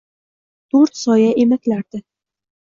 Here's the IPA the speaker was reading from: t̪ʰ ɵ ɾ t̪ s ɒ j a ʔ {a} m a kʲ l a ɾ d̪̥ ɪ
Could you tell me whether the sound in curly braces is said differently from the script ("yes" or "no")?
yes